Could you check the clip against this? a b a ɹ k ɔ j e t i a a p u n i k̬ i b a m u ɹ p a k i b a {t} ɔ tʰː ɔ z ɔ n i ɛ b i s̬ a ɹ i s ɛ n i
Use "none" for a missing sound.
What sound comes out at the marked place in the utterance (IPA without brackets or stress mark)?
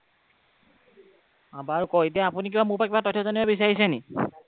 t